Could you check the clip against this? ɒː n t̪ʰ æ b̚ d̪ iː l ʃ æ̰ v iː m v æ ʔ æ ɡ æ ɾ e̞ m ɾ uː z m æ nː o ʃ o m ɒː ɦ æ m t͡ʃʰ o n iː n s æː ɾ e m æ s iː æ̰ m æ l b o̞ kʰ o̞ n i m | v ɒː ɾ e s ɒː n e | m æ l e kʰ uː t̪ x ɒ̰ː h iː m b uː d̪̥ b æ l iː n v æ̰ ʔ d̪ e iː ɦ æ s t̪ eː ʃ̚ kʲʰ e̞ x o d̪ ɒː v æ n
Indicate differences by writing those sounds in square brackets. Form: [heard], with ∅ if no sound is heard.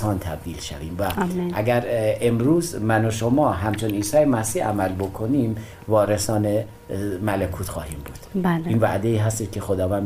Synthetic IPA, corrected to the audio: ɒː n t̪ʰ æ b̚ d̪ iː l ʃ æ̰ v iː m v æ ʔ æ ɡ æ ɾ e̞ m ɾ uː z m æ [n] o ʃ o m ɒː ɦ æ m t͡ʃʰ o n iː n s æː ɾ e m æ s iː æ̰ m æ l b o̞ kʰ o̞ n i m | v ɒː ɾ e s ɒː n e | m æ l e kʰ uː t̪ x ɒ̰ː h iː m b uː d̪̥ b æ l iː n v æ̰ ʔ d̪ e iː ɦ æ s t̪ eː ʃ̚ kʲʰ e̞ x o d̪ ɒː v æ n